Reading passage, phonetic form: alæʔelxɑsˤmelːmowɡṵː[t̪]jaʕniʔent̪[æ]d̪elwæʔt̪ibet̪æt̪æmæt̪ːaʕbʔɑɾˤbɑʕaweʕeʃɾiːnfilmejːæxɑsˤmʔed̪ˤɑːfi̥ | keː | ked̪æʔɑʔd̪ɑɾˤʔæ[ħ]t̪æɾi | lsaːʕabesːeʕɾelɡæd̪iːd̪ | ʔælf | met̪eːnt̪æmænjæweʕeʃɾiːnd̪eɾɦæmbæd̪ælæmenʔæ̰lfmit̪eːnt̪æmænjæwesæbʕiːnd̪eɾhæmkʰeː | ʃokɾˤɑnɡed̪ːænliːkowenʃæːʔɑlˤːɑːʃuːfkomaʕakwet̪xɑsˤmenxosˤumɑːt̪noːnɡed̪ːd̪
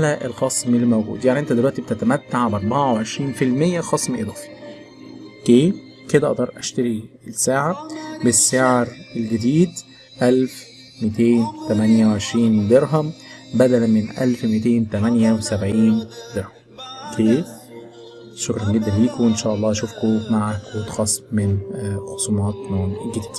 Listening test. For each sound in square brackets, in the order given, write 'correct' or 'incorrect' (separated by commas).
incorrect, correct, incorrect